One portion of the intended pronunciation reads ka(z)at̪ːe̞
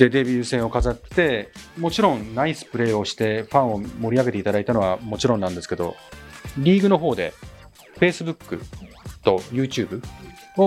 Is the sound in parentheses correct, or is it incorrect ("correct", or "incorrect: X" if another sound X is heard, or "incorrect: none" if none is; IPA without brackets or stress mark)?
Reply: correct